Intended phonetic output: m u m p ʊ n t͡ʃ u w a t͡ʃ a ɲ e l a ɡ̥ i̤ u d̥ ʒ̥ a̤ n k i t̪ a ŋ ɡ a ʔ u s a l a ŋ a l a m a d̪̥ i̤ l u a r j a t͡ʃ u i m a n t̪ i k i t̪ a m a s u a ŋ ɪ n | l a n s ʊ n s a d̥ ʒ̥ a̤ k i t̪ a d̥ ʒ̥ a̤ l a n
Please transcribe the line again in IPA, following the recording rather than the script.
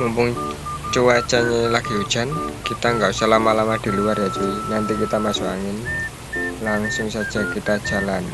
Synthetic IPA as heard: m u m p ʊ ŋ t͡ʃ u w a t͡ʃ a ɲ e l a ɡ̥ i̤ u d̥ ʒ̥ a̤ n k i t̪ a ŋ ɡ a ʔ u s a l a m a l a m a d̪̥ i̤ l u a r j a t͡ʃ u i n a n t̪ i k i t̪ a m a s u a ŋ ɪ n | l a ŋ s ʊ ŋ s a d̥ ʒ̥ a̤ k i t̪ a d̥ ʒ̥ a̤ l a n